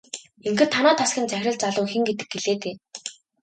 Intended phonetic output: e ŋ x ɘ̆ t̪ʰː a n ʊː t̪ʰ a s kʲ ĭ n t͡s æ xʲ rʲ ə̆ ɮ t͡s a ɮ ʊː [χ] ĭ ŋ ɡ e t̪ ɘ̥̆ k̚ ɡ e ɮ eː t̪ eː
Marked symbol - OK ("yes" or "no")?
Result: no